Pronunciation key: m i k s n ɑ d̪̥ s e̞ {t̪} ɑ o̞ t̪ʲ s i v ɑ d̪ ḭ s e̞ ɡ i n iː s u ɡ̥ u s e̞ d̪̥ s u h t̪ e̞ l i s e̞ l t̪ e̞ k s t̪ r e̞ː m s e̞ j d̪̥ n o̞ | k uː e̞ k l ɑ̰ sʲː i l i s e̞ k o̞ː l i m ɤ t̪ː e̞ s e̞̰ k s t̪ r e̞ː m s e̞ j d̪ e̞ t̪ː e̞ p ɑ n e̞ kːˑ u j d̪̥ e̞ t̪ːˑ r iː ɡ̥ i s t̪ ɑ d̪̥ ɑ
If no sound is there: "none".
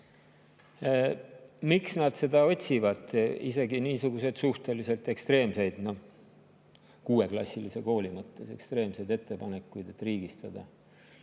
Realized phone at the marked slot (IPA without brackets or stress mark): d̪